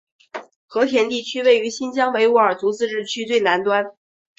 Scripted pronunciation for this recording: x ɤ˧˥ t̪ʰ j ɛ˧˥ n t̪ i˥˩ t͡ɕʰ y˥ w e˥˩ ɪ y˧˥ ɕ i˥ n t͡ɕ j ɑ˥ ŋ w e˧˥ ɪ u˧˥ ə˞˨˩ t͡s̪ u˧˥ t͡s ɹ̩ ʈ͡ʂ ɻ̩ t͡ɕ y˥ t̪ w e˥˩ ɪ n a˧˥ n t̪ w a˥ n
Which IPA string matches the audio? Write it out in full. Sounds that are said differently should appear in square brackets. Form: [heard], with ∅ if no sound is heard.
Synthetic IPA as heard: x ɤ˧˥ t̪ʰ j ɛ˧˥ n t̪ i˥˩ t͡ɕʰ y˥ w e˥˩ ɪ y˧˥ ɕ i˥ n t͡ɕ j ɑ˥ ŋ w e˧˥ ɪ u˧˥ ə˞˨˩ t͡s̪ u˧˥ t͡s ɹ̩ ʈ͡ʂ ɻ̩ [t͡ɕʰ] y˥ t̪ w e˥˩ ɪ n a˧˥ n t̪ w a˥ n